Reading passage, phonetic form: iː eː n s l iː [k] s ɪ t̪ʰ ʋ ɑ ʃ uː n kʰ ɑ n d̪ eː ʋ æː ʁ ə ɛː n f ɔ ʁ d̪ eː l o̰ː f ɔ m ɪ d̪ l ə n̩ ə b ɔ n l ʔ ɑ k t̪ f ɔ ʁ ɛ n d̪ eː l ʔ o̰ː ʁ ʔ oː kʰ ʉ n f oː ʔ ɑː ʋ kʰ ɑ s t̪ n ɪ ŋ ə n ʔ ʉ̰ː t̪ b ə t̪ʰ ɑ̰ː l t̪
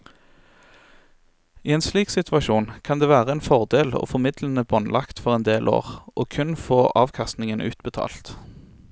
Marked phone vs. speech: correct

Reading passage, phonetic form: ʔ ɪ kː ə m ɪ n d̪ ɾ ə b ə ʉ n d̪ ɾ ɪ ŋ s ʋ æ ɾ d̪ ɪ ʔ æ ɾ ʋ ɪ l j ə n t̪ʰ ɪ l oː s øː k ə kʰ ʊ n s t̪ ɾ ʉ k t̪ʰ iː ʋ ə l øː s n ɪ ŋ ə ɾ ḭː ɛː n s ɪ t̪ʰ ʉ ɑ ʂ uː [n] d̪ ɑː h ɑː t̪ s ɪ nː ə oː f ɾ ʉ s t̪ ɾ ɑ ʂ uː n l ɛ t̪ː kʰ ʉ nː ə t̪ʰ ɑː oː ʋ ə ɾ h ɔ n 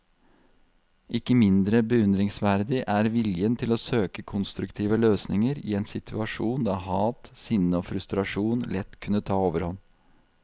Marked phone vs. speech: correct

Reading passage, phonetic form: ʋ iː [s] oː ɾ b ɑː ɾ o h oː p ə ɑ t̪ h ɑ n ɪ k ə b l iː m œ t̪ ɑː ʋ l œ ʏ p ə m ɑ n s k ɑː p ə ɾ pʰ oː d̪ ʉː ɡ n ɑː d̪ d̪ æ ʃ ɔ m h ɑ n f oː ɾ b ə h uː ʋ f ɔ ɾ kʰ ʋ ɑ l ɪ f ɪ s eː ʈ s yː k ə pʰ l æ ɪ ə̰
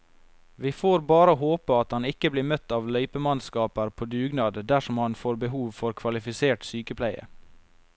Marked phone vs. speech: incorrect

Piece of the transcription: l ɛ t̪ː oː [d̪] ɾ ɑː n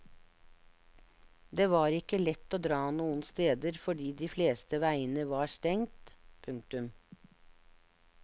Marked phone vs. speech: correct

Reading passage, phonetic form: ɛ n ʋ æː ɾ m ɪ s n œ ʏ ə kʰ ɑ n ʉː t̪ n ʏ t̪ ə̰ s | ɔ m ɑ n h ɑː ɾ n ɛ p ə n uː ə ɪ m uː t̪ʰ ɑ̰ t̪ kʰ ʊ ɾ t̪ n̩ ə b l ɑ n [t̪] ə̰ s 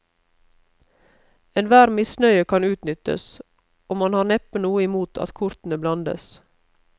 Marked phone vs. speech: incorrect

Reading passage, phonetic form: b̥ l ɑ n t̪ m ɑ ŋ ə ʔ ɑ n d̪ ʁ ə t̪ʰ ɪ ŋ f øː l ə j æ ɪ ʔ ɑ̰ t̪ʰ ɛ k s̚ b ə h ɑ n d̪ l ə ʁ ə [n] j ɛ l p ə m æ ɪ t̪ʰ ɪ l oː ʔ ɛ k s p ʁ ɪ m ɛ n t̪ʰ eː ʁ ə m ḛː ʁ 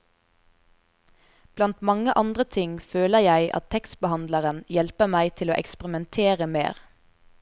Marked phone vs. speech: correct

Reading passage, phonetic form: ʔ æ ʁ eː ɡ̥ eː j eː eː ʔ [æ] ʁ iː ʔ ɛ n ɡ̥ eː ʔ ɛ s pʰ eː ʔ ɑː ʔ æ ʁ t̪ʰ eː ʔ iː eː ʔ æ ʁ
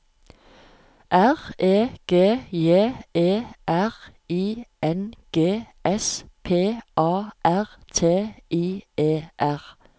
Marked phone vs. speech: correct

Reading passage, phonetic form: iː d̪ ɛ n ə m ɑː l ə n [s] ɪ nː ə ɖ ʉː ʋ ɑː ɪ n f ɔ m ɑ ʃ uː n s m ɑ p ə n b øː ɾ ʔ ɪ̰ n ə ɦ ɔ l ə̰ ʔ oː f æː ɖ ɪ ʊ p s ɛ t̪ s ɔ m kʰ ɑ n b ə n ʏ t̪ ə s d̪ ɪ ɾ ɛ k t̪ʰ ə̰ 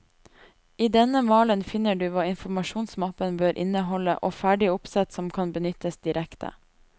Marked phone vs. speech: incorrect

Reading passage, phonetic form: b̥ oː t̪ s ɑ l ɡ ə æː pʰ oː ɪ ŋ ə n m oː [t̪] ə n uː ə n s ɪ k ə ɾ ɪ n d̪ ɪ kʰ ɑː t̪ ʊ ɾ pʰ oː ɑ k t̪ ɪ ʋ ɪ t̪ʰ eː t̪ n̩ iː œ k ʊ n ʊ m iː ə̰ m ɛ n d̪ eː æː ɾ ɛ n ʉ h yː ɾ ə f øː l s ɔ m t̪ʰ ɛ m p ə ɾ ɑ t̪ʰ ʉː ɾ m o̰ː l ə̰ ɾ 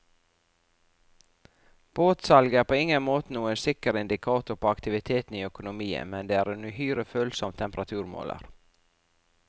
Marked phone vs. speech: correct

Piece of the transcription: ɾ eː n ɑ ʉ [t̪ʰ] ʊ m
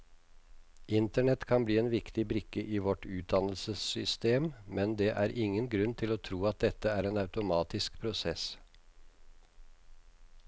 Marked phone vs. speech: incorrect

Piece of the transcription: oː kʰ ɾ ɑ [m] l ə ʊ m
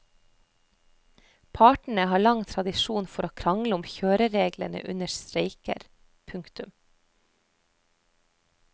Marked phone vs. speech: incorrect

